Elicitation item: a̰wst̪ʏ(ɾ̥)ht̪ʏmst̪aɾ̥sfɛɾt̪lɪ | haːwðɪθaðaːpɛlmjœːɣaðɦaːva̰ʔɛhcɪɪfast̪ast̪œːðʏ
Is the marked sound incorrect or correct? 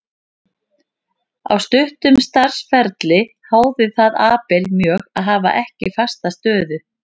incorrect